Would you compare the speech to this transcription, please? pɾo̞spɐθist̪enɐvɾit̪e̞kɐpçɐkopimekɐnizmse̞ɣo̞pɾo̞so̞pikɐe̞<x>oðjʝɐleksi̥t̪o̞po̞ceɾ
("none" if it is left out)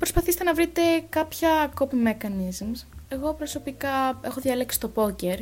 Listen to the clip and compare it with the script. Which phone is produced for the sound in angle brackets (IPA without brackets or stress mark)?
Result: x